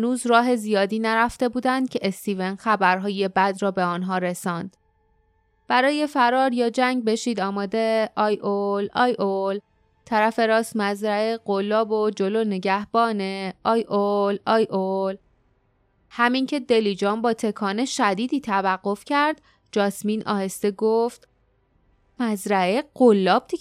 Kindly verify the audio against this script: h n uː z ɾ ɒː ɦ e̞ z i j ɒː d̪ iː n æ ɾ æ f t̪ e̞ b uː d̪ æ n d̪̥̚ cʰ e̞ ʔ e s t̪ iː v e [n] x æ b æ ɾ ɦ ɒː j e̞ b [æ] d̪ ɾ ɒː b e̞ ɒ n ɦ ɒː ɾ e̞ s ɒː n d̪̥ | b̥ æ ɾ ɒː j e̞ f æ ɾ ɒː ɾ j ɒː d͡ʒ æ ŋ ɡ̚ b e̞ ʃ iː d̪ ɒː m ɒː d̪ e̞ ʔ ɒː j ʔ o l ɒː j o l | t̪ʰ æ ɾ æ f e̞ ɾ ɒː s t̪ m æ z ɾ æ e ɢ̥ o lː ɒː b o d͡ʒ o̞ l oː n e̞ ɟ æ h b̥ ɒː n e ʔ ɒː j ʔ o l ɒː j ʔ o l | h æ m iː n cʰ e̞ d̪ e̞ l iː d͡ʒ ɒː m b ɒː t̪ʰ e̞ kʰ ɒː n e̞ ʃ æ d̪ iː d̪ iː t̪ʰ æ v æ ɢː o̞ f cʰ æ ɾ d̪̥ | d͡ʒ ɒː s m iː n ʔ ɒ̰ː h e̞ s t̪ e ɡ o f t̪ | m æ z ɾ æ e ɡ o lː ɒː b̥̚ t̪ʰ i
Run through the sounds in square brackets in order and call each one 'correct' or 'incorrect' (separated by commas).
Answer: correct, correct